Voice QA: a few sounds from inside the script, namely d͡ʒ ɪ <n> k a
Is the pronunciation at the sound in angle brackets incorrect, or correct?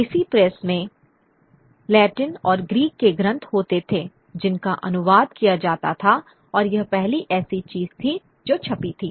correct